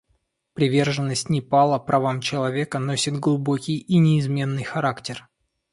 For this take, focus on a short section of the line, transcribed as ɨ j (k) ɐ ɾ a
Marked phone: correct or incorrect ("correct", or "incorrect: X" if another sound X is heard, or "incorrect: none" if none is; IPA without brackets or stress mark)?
incorrect: x